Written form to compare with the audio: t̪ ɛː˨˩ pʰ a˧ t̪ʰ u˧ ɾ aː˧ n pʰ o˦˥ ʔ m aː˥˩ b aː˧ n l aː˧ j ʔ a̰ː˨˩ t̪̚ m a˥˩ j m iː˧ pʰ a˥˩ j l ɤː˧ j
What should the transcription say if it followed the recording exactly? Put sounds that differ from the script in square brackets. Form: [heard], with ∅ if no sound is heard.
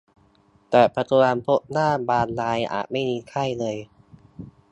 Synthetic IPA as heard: t̪ ɛː˨˩ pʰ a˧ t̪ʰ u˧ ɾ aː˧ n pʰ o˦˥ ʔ [n] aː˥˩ b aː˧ n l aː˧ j ʔ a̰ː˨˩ t̪̚ m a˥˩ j m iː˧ [kʰ] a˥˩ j l ɤː˧ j